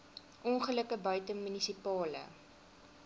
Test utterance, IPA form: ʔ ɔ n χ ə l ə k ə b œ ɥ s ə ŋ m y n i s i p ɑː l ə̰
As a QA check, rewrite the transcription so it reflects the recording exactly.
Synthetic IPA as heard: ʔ ɔ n χ ə l ə k ə b œ ɥ t ə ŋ m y n i s i p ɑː l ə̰